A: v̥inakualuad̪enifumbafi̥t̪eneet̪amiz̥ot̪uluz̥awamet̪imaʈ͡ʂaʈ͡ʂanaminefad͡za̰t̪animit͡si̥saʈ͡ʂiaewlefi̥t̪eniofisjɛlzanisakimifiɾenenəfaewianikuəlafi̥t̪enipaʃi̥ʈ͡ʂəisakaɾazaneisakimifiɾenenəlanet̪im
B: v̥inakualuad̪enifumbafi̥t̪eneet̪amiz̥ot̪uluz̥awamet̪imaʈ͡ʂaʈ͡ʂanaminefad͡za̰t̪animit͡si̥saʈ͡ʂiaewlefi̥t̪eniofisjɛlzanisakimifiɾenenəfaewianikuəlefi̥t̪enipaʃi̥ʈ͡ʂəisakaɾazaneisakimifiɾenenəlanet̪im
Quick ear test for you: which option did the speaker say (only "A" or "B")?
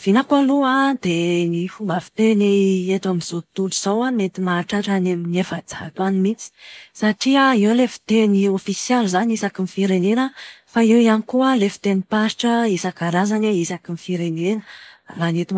B